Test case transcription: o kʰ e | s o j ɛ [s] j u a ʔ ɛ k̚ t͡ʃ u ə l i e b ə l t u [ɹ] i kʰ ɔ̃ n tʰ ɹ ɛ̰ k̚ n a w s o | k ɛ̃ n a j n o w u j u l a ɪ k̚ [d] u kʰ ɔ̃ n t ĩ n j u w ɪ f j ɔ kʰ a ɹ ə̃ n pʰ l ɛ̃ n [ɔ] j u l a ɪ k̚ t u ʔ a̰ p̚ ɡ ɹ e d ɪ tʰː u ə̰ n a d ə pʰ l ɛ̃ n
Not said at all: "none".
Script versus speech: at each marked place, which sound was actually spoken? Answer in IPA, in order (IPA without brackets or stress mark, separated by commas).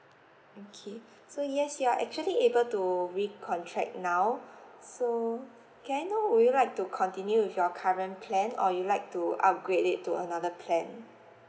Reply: s, ɹ, t, ɔ